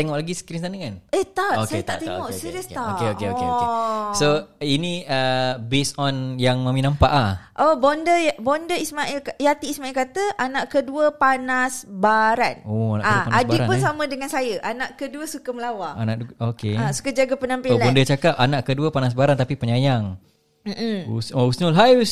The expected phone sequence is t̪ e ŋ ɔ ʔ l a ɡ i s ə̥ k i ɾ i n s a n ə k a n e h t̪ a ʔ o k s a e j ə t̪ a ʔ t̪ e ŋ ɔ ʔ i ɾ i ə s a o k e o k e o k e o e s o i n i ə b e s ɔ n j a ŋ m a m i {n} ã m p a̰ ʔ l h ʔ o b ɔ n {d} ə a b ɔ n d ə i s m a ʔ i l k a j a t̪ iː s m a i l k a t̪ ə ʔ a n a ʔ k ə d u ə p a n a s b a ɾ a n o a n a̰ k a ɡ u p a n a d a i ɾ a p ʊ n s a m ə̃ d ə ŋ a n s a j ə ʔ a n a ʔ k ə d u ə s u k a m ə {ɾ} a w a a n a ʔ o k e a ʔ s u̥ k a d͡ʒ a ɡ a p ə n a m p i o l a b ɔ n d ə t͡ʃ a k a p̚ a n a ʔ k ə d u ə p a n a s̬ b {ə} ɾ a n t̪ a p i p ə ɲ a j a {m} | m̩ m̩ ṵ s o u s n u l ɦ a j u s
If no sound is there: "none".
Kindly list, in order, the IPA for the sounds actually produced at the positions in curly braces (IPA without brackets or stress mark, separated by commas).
n, d, l, a, ŋ